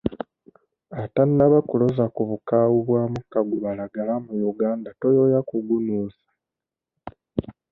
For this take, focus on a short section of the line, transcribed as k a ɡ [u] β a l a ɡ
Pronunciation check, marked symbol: correct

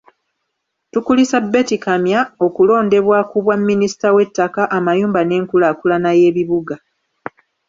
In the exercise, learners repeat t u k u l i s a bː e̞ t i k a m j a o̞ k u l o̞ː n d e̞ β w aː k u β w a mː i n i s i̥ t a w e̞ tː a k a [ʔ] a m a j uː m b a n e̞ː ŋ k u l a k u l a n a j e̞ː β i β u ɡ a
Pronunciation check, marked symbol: correct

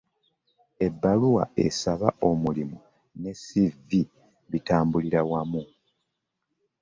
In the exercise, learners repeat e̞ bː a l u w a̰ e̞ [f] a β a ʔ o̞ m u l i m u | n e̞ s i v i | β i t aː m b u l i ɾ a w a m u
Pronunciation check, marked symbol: incorrect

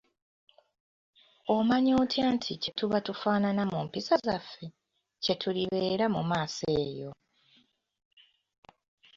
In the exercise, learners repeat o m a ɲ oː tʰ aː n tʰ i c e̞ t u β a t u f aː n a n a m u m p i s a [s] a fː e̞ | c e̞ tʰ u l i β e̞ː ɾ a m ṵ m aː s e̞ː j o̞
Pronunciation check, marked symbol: incorrect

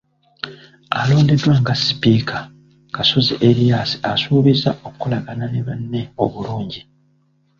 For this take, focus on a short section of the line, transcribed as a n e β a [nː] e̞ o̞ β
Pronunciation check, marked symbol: correct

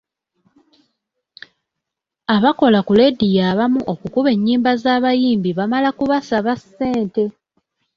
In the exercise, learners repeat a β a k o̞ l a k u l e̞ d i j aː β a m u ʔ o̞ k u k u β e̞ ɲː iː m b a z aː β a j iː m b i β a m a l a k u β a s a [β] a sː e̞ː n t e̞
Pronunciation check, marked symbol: correct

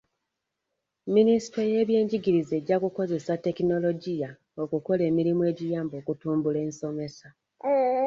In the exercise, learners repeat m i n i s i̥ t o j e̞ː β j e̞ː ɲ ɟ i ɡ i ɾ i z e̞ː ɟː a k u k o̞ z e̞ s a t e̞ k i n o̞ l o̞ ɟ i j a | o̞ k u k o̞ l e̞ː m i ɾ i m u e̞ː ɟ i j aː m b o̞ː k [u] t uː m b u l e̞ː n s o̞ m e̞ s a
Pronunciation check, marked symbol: correct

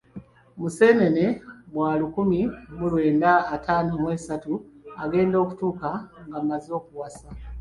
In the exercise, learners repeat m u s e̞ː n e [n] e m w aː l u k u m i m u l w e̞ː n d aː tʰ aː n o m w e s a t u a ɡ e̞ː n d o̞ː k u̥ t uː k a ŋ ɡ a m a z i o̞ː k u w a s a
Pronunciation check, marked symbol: correct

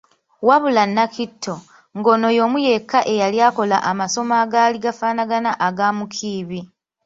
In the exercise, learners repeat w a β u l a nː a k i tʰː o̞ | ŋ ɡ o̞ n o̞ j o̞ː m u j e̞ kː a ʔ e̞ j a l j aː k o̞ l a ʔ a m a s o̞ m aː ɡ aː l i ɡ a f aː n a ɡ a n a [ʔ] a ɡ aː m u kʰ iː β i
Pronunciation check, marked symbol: correct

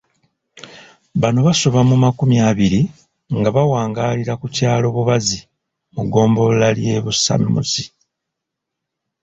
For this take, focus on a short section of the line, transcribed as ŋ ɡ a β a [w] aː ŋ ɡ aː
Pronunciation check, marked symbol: correct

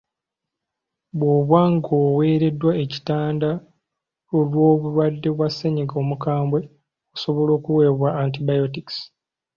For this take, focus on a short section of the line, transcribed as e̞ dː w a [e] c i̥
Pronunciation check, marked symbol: correct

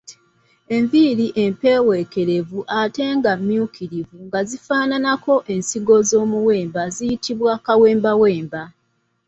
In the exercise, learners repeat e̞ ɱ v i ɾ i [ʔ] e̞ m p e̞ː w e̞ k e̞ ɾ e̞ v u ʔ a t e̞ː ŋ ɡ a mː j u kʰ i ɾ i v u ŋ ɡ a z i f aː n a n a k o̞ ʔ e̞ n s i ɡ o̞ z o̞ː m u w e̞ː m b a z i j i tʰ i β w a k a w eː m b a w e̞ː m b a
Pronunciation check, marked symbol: correct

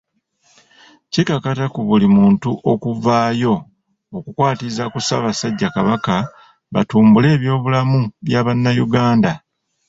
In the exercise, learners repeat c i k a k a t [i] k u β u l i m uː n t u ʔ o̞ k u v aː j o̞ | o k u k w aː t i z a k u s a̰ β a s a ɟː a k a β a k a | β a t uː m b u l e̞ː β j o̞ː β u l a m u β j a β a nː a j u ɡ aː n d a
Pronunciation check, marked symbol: incorrect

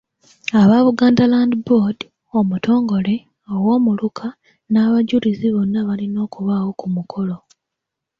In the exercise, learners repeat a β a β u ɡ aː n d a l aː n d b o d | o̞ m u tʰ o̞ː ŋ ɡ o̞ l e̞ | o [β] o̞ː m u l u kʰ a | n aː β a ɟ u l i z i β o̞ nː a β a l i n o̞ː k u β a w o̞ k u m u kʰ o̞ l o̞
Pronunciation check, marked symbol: incorrect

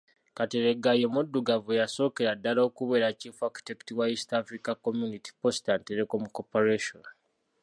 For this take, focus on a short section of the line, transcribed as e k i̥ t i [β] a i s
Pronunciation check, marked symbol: incorrect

